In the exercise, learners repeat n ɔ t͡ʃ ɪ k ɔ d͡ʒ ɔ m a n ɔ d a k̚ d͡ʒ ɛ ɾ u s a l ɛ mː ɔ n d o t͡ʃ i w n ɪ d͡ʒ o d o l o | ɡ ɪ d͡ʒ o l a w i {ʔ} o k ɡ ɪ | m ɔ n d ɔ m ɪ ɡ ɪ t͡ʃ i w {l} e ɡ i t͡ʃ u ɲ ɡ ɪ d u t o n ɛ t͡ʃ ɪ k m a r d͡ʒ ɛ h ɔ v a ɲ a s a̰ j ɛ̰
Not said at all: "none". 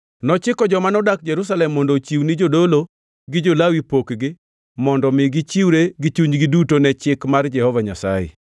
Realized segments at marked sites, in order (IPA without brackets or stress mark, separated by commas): p, ɾ